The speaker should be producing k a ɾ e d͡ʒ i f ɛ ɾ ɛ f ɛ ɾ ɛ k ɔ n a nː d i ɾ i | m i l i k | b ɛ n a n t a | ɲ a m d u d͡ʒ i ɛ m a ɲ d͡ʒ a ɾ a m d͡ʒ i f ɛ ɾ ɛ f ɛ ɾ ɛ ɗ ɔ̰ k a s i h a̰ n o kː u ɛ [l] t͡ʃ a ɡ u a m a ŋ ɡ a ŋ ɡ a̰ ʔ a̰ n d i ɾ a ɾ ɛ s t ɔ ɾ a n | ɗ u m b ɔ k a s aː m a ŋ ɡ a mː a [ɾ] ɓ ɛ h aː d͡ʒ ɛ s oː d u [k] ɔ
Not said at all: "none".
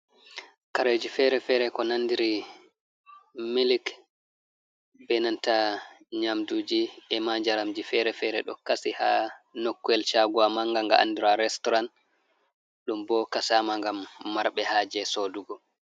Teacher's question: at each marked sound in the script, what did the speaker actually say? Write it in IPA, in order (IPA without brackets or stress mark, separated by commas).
l, ɾ, ɡ